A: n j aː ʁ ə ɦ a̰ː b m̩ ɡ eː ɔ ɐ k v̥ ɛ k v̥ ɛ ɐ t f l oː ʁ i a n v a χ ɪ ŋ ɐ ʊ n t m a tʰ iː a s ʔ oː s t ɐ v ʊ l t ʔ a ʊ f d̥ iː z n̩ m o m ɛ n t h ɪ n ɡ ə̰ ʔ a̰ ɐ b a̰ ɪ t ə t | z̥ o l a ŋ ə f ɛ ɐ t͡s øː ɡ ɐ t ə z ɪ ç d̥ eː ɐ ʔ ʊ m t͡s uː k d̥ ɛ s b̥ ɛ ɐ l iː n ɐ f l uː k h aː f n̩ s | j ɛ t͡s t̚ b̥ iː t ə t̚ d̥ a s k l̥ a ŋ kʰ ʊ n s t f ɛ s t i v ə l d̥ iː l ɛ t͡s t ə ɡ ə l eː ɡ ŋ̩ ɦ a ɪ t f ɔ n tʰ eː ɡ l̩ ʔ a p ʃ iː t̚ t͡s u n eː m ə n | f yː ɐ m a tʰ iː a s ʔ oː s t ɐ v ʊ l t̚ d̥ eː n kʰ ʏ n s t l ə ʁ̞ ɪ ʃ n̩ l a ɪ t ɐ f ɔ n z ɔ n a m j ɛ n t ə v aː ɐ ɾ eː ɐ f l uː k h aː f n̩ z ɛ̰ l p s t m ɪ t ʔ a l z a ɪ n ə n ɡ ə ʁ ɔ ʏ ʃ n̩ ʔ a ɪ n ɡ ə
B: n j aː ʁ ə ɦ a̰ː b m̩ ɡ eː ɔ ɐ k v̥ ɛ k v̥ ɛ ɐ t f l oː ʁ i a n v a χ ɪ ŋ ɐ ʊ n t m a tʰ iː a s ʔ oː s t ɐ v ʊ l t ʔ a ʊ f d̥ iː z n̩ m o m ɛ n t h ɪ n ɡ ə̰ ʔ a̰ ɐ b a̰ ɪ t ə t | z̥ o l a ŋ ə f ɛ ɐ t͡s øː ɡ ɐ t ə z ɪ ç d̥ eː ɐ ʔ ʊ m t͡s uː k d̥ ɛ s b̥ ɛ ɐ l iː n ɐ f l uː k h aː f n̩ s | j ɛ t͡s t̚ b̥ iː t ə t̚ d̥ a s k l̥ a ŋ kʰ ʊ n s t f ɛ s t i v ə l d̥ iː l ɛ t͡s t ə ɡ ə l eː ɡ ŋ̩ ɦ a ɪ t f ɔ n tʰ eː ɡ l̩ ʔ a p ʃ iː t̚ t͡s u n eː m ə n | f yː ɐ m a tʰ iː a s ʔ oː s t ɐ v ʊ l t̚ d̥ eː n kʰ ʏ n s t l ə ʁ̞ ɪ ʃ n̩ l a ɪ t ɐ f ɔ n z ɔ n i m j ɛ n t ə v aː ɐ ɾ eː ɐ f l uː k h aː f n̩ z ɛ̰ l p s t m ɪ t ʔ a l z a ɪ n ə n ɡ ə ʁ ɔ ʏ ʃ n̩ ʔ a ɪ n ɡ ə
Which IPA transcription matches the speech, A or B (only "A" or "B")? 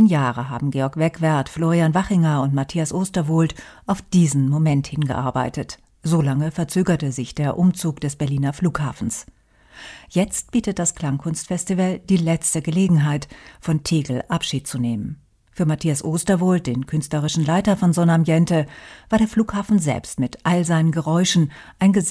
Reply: A